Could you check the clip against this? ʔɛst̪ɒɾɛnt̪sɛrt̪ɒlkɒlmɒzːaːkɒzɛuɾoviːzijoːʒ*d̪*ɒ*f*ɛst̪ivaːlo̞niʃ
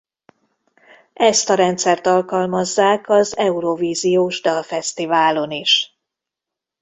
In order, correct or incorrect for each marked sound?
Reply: correct, correct

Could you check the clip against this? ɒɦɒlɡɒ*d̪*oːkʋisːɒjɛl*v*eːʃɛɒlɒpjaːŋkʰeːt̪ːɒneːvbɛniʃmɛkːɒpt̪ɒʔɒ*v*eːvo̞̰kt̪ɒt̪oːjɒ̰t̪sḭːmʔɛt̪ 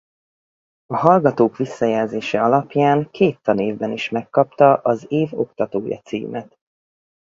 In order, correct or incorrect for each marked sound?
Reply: incorrect, incorrect, incorrect

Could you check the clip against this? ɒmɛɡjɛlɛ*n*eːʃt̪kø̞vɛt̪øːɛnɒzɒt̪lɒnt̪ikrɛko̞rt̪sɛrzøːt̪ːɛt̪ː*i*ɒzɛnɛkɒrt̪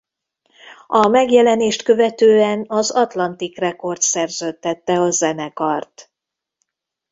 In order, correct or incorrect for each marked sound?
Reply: correct, incorrect

